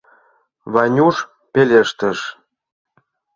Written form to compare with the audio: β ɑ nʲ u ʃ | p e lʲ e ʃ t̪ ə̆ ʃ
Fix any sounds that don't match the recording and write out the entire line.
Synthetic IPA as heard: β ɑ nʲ u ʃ | p e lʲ e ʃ t̪ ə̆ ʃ